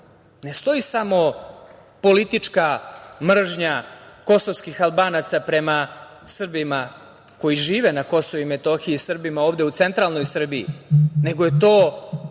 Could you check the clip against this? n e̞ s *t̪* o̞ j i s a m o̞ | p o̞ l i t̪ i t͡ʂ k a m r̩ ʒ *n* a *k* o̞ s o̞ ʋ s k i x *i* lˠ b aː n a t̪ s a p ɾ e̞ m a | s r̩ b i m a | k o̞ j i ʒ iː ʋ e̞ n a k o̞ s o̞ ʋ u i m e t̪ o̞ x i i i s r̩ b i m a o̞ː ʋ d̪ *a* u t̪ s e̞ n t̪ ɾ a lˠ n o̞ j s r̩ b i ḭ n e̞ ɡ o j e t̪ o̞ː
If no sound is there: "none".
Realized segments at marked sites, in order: t̪, ɲ, k, a, e

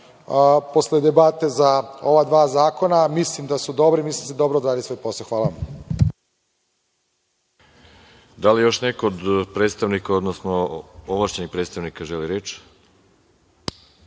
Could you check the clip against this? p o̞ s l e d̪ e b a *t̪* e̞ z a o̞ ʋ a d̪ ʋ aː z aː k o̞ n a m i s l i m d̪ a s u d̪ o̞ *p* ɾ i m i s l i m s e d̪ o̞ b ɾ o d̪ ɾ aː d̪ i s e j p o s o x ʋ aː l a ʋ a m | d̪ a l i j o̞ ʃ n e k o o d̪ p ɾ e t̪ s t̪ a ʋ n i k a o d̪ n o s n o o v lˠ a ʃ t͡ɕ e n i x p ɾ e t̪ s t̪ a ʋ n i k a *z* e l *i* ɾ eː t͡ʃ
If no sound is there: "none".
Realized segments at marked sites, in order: t̪, b, ʒ, i

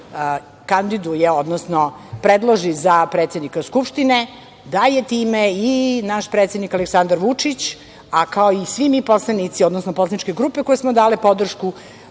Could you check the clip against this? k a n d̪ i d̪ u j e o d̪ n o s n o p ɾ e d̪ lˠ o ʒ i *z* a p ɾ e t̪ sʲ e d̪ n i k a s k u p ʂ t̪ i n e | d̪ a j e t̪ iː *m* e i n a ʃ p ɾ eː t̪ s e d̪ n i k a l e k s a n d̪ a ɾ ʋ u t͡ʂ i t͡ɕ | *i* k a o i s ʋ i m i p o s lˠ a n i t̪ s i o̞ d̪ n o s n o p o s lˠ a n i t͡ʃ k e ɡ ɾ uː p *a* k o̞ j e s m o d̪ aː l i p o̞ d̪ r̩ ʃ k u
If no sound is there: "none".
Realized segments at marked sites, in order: z, m, a, e

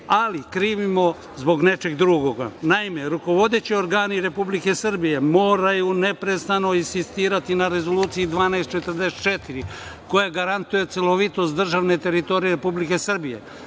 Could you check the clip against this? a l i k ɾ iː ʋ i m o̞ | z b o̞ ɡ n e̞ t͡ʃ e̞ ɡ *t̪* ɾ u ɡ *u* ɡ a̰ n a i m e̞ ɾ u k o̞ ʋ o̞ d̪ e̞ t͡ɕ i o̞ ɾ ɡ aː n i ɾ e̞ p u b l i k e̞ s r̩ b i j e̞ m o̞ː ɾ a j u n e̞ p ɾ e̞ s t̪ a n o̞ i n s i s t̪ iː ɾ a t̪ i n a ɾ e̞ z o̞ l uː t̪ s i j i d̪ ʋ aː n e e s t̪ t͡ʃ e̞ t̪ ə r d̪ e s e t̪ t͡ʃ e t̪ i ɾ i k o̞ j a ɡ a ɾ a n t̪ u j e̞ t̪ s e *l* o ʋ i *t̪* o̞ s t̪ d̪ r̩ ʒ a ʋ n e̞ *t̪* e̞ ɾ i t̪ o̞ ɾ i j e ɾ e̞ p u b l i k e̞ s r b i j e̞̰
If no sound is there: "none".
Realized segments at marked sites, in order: d̪, o, l, t̪, t̪

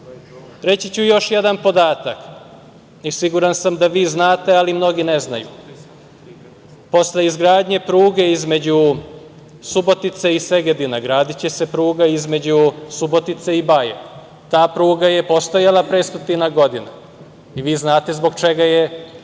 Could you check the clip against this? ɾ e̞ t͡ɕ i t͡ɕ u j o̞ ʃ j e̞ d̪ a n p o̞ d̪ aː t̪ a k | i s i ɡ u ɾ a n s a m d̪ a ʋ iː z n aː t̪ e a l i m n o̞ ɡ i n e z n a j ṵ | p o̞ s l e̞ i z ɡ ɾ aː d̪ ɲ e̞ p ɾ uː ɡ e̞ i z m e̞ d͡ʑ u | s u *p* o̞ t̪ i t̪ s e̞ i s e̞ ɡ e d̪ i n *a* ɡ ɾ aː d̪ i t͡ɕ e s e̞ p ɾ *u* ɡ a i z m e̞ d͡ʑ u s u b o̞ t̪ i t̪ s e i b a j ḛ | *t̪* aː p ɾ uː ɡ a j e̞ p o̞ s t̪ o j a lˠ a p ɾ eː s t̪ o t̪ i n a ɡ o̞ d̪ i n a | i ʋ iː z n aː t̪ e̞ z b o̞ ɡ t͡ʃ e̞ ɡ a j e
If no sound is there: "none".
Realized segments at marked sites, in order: b, a, uː, t̪

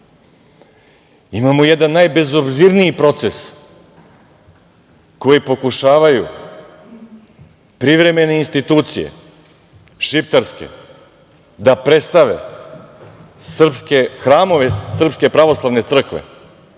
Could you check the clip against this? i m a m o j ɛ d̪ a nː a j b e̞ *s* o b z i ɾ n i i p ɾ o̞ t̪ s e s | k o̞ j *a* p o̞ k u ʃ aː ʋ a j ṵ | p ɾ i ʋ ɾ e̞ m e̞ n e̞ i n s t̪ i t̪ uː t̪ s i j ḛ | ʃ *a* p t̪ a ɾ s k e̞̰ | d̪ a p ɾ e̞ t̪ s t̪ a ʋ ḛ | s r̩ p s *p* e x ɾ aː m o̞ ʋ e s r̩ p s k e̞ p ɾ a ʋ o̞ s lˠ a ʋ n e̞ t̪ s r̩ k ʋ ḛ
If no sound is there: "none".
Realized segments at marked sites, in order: z, i, i, k

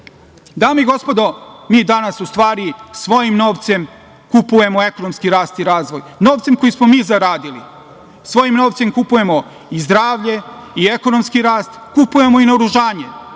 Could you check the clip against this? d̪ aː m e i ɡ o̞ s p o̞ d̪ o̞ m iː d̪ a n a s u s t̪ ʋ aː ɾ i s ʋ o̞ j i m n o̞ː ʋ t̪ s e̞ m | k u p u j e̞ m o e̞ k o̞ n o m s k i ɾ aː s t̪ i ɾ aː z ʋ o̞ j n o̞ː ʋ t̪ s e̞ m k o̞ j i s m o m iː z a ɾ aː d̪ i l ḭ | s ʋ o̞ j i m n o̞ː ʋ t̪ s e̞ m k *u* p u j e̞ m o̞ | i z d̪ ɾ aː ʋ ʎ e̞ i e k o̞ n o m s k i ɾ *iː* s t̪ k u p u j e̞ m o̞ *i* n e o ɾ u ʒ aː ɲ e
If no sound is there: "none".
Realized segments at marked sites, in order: u, aː, i

